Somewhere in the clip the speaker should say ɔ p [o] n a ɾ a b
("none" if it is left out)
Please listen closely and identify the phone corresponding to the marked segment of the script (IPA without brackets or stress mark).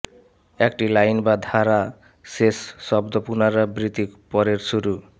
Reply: u